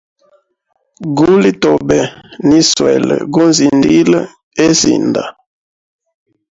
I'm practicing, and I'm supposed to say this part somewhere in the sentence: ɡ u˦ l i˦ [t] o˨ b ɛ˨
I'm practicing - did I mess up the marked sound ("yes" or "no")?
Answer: no